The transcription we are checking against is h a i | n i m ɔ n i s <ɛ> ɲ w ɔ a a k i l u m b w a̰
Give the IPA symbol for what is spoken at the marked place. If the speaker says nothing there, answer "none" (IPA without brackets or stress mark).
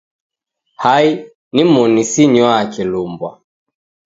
i